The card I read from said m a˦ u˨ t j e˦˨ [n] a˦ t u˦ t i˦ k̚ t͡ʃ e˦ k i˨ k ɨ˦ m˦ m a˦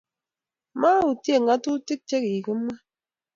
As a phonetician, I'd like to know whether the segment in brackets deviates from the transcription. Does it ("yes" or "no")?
yes